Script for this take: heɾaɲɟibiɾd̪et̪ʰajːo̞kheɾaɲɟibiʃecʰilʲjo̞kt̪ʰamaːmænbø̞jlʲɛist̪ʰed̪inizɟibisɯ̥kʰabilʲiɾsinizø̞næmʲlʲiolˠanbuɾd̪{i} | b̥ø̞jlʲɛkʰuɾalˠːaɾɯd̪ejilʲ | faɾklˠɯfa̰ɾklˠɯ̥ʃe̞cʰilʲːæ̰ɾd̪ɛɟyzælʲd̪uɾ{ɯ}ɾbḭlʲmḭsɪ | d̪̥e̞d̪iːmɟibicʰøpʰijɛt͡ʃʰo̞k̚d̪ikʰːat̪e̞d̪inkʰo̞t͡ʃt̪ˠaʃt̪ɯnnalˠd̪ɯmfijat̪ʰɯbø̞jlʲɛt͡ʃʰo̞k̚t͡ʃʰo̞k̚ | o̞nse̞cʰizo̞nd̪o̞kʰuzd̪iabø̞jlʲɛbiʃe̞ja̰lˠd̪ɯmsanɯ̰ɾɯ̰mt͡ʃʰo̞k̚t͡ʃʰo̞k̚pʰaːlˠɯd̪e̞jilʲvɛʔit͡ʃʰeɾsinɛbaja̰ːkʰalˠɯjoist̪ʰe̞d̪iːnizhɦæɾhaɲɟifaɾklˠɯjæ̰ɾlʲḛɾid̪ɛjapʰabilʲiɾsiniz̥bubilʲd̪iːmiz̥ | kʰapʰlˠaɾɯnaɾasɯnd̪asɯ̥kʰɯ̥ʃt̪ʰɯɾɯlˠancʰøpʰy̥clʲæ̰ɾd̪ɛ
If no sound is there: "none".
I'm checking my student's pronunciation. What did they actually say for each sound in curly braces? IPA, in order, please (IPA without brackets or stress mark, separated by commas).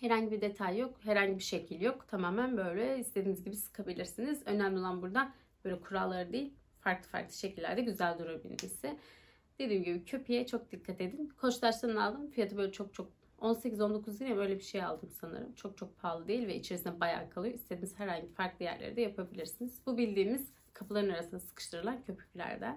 a, u